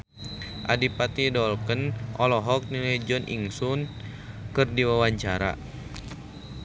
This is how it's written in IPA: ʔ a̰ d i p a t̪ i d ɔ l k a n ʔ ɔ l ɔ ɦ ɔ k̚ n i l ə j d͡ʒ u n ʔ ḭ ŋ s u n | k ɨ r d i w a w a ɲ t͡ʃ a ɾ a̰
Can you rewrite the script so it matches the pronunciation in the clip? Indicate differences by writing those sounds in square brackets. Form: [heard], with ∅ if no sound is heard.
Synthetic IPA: ʔ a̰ d i p a t̪ i d ɔ l k [ə] n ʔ ɔ l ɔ ɦ ɔ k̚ n i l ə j d͡ʒ [ɔ] n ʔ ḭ ŋ s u n | k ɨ r d i w a w a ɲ t͡ʃ a ɾ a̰